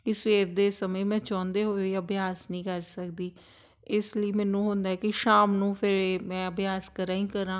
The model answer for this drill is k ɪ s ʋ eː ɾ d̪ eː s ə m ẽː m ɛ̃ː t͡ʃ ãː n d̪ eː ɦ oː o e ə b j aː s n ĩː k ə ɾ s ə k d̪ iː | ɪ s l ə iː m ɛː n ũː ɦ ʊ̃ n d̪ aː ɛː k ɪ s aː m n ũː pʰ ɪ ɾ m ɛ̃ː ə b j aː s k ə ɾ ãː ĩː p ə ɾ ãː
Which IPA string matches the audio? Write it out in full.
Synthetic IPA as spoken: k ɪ s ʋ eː ɾ d̪ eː s ə m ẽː m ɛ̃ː t͡ʃ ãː n d̪ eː ɦ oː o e ə b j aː s n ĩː k ə ɾ s ə k d̪ iː | ɪ s l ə iː m ɛː n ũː ɦ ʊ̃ n d̪ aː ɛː k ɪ ʃ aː m n ũː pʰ ɪ ɾ m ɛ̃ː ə b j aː s k ə ɾ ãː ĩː k ə ɾ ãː